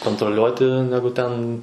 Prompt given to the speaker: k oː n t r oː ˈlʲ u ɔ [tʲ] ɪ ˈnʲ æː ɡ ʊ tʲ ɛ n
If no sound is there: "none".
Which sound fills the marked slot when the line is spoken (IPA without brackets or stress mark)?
tʲ